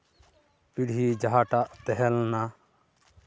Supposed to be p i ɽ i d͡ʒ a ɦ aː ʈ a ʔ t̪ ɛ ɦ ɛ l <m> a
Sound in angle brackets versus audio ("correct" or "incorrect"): incorrect